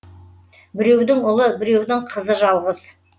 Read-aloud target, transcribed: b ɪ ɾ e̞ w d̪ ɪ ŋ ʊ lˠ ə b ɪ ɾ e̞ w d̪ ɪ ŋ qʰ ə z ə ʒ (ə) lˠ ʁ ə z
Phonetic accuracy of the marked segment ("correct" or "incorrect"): incorrect